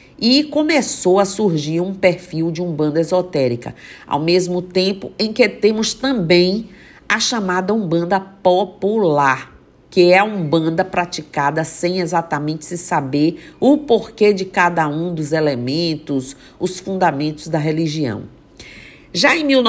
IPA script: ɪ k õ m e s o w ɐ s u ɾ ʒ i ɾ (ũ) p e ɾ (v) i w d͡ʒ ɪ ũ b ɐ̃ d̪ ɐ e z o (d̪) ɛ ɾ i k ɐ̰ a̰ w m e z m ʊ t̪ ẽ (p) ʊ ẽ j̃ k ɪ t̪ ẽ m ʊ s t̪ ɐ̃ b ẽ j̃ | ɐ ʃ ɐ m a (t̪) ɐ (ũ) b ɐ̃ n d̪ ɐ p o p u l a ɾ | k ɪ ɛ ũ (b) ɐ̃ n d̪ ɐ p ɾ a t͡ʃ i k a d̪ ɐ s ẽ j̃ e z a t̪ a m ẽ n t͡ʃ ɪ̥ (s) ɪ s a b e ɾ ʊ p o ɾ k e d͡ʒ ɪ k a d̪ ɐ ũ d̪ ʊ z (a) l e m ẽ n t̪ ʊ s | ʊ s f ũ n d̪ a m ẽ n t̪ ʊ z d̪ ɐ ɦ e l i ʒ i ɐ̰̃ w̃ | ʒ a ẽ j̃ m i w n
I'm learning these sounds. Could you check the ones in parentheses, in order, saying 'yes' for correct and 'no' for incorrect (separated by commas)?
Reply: yes, no, no, yes, no, yes, yes, yes, no